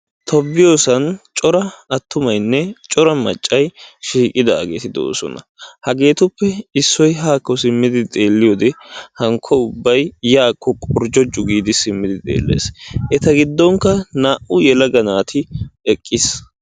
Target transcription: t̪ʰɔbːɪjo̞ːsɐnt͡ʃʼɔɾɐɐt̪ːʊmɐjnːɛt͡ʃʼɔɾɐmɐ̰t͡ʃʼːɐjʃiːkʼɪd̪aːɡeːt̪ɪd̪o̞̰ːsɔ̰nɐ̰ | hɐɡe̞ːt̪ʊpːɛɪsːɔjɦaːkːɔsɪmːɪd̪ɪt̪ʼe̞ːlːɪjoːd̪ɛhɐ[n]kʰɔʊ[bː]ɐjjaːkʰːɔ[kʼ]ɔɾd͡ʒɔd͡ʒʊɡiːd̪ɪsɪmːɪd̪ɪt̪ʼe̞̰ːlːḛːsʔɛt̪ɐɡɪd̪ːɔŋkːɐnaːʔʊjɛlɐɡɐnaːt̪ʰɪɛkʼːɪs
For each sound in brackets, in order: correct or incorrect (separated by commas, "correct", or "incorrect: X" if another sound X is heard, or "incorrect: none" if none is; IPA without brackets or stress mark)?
incorrect: ŋ, correct, correct